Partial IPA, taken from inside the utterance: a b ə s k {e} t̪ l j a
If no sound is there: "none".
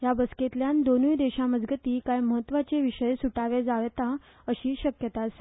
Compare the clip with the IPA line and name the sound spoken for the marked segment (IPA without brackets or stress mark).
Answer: e